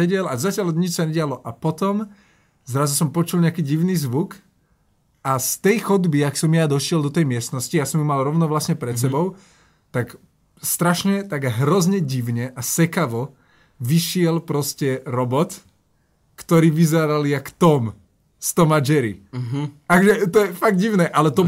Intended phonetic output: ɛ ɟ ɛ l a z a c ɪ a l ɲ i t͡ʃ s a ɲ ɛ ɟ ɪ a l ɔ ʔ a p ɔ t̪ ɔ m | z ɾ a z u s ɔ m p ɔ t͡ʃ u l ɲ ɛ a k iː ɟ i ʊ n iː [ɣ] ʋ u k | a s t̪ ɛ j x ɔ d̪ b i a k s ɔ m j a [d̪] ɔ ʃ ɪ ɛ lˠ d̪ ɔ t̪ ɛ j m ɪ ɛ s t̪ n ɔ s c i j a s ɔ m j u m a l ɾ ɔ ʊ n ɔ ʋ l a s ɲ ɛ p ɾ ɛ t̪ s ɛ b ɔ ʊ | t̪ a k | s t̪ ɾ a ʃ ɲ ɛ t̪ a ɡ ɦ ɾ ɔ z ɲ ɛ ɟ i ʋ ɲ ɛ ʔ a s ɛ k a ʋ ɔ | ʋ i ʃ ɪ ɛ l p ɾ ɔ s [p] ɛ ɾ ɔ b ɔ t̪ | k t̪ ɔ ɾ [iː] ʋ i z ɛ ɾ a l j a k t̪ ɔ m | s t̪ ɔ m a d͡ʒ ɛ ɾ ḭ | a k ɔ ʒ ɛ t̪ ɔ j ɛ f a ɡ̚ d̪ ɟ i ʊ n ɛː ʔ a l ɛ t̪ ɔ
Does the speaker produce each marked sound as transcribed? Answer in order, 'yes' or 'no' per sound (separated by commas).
no, yes, no, yes